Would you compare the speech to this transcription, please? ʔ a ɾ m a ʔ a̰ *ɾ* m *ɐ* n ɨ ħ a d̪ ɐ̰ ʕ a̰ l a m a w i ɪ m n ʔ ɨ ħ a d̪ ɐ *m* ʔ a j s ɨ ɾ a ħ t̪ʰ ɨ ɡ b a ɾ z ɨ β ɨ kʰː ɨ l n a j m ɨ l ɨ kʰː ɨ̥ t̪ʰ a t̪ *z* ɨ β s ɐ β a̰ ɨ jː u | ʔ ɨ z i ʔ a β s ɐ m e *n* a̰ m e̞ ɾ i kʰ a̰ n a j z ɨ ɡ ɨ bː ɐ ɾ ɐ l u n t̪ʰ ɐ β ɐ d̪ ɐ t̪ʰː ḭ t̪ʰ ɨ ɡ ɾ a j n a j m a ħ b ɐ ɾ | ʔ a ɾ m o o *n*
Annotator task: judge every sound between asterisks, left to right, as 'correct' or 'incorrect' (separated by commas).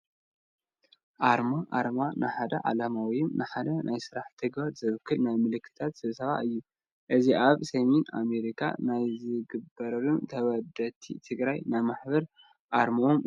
correct, incorrect, incorrect, incorrect, correct, incorrect